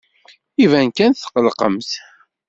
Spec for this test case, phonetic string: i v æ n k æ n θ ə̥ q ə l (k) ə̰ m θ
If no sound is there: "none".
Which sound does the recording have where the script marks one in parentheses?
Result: q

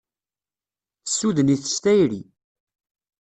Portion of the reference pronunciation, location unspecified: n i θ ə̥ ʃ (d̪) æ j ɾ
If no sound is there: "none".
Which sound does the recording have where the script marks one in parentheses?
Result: t̪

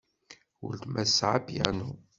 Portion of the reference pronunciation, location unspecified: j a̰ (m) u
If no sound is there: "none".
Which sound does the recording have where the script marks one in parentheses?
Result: n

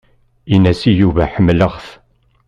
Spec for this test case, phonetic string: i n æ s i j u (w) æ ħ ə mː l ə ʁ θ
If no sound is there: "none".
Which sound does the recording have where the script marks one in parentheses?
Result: v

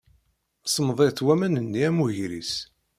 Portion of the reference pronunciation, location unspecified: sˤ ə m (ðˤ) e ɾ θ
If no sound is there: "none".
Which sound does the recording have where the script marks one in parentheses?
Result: ðˤ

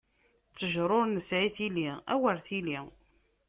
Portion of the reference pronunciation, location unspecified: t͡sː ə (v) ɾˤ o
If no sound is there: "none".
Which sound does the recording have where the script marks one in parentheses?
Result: ʒ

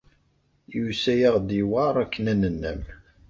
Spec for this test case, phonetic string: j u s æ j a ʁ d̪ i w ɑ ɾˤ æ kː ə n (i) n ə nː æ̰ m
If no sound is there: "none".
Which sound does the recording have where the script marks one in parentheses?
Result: æ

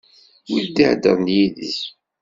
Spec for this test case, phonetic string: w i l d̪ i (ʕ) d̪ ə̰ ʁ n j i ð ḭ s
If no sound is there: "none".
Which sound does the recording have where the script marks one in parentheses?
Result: ʕ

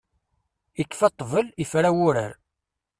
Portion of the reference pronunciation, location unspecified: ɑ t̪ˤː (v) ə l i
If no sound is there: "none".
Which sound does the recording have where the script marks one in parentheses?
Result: v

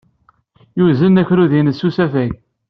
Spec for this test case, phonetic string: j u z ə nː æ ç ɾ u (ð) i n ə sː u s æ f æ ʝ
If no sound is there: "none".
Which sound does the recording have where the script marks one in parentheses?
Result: ð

